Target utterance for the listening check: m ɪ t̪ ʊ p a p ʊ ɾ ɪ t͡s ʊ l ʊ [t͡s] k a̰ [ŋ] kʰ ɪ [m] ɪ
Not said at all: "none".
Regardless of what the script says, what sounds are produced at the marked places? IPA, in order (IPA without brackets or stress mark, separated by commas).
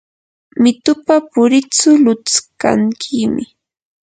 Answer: t͡s, ŋ, m